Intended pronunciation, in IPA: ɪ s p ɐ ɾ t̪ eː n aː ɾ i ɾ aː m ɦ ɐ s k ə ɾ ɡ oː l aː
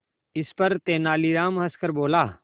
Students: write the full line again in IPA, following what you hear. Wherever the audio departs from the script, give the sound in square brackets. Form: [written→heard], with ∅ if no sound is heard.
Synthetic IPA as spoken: ɪ s p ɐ ɾ t̪ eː n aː [ɾ→l] i ɾ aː m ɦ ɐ s k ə ɾ [ɡ→b] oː l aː